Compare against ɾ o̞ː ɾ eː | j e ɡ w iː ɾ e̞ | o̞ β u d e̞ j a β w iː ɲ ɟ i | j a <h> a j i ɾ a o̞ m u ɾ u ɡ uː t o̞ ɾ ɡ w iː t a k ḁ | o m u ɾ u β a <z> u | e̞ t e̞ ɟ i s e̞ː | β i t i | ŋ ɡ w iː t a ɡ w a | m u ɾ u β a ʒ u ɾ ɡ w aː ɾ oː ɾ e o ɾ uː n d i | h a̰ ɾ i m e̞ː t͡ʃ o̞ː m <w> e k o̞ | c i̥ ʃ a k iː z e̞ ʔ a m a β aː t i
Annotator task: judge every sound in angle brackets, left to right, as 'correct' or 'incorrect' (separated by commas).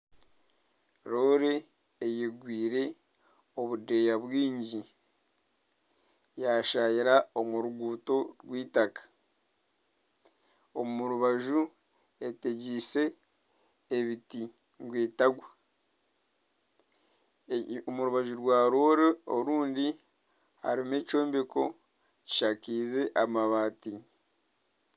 incorrect, incorrect, incorrect